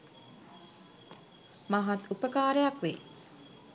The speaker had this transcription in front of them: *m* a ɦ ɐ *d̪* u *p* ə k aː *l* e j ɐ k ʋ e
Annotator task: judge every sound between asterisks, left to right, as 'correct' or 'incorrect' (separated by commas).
correct, incorrect, correct, incorrect